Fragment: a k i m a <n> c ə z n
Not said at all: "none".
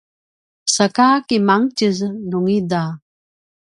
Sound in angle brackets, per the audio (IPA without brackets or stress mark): ŋ